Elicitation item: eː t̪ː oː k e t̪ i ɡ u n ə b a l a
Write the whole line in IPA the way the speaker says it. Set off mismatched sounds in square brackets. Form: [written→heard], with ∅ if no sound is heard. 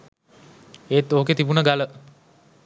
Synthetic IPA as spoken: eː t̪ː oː k e t̪ i [ɡ→b] u n ə [b→ɡ] a l [a→ə]